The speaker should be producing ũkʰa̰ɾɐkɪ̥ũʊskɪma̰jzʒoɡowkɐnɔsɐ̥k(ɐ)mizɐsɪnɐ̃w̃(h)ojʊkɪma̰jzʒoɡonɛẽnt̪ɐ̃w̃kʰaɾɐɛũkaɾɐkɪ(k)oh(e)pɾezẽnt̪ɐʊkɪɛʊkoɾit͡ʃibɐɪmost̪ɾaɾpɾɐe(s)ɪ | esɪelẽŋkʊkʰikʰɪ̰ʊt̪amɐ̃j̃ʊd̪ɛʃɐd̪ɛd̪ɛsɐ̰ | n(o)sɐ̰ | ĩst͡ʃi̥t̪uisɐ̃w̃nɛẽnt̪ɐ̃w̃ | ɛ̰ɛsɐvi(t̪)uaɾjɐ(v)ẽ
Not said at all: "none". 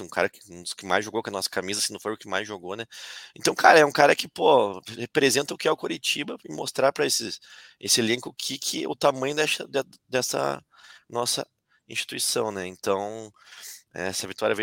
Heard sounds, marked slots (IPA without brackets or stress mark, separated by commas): a, f, p, e, s, ɔ, t̪, v